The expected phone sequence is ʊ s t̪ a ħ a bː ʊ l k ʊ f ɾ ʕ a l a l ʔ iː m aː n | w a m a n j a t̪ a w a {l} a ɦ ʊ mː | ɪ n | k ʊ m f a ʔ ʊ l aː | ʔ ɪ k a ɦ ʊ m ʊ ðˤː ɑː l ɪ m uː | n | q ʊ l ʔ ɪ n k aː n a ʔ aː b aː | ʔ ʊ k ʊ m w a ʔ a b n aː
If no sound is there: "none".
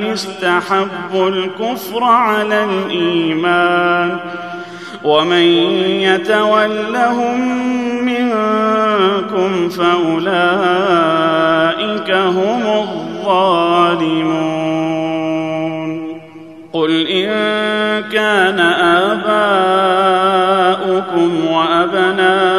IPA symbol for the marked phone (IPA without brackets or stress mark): lː